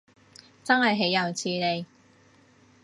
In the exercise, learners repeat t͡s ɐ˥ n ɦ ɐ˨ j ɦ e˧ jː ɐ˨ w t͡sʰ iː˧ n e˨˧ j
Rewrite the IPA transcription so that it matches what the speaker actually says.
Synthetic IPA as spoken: t͡s ɐ˥ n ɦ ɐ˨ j ɦ e˨˥ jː ɐ˨ w t͡sʰ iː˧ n e˨˧ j